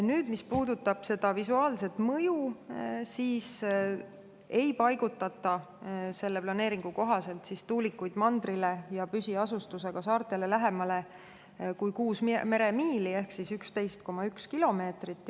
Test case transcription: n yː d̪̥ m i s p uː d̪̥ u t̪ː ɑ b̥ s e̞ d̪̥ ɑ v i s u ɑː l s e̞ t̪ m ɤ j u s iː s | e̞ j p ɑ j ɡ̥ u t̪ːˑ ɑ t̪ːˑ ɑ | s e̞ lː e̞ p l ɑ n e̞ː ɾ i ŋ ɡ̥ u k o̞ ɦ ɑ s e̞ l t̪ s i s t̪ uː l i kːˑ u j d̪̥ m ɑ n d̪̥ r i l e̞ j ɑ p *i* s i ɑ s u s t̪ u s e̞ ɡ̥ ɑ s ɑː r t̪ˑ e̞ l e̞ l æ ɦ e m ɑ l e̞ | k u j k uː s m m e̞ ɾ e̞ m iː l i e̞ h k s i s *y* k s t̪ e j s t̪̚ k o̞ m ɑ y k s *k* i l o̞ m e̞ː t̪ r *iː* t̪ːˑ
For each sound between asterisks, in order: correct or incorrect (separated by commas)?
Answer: incorrect, correct, correct, incorrect